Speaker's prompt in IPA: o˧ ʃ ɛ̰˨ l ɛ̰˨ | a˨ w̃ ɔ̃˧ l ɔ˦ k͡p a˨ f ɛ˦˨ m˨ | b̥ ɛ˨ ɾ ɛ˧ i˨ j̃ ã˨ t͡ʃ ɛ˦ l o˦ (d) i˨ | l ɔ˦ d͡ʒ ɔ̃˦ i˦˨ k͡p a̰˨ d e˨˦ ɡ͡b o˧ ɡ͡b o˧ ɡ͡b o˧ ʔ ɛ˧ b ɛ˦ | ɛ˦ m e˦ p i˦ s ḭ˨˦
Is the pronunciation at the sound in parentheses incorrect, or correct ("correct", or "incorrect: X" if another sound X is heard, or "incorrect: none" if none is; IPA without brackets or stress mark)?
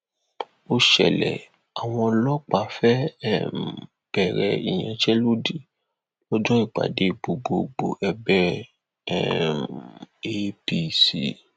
correct